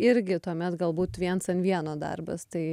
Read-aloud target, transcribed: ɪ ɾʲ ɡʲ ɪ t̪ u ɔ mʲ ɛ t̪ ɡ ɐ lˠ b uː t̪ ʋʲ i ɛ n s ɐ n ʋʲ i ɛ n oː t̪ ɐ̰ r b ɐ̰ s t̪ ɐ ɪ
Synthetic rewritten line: ɪ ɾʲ ɡʲ ɪ t̪ u ɔ mʲ ɛ t̪ ɡ ɐ lˠ b uː t̪ ʋʲ i ɛ n s ɐ n ʋʲ i ɛ n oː d̪ ɐ̰ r b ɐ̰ s t̪ ɐ ɪ

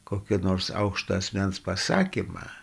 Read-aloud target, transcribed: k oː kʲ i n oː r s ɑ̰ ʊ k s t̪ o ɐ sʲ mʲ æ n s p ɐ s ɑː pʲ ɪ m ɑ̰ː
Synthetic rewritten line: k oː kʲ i n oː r s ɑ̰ ʊ k ʃ t̪ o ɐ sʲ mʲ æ n s p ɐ s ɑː kʲ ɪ m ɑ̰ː

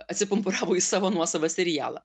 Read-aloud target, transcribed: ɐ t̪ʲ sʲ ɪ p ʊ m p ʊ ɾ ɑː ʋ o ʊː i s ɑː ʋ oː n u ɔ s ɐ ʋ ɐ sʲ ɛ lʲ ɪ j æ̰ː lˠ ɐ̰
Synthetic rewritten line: ɐ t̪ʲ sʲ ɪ p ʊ m p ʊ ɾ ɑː ʋ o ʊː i s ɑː ʋ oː n u ɔ s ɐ ʋ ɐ sʲ ɛ ɾʲ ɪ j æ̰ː lˠ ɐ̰

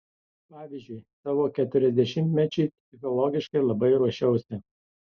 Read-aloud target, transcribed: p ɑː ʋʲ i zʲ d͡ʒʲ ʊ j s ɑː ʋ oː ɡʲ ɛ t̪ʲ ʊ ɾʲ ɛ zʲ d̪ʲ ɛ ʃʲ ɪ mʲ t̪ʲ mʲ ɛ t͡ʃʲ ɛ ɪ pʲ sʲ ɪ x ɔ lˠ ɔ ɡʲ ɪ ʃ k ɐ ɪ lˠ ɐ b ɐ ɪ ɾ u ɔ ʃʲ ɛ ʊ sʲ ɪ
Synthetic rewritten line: p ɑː ʋʲ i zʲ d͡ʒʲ ʊ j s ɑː ʋ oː kʲ ɛ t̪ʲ ʊ ɾʲ ɛ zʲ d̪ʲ ɛ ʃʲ ɪ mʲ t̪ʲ mʲ ɛ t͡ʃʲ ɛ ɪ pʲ sʲ ɪ x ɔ lˠ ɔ ɡʲ ɪ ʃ k ɐ ɪ lˠ ɐ b ɐ ɪ ɾ u ɔ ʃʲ ɛ ʊ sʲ ɪ

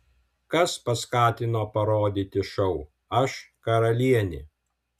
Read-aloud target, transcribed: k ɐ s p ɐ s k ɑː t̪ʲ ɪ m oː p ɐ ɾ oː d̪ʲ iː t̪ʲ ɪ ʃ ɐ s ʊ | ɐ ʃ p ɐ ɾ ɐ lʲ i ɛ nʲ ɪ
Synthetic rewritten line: k ɐ s p ɐ s k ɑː t̪ʲ ɪ n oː p ɐ ɾ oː d̪ʲ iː t̪ʲ ɪ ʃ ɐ ʊ | ɐ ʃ k ɐ ɾ ɐ lʲ i ɛ nʲ ɪ

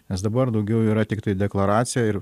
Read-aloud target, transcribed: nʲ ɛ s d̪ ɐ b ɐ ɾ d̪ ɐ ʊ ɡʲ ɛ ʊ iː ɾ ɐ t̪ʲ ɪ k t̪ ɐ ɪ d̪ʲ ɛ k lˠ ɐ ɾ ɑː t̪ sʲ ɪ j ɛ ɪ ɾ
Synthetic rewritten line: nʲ ɛ s d̪ ɐ b ɐ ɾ d̪ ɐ ʊ ɡʲ ɛ ʊ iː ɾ ɐ t̪ʲ ɪ k t̪ ɐ ɪ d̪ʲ ɛ k lˠ ɐ ɾ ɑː t̪ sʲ ɪ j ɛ ɪ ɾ

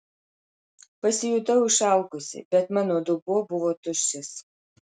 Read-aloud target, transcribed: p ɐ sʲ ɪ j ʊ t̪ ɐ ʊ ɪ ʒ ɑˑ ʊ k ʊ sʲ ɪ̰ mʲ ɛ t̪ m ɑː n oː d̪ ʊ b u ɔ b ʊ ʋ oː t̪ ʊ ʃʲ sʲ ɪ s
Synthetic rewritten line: p ɐ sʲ ɪ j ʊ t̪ ɐ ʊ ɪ ʃ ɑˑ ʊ k ʊ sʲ ɪ̰ bʲ ɛ t̪ m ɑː n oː d̪ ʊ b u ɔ b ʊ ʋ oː t̪ ʊ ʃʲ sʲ ɪ s

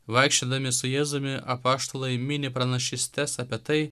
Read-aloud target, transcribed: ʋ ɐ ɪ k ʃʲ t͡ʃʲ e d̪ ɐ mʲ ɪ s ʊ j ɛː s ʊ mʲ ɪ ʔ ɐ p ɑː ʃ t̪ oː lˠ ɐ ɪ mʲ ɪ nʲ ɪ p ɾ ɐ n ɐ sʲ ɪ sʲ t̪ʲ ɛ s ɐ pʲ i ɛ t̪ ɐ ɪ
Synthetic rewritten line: ʋ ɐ ɪ k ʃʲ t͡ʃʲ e d̪ ɐ mʲ ɪ s ʊ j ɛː z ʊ mʲ ɪ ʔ ɐ p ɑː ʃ t̪ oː lˠ ɐ ɪ mʲ ɪ nʲ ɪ p ɾ ɐ n ɐ ʃʲ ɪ sʲ t̪ʲ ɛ s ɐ pʲ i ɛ t̪ ɐ ɪ

